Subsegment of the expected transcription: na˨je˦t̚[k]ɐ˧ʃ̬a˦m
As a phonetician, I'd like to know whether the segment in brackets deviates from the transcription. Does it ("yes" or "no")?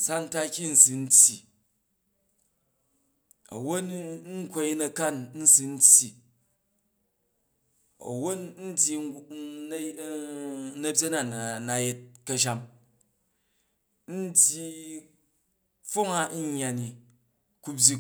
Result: no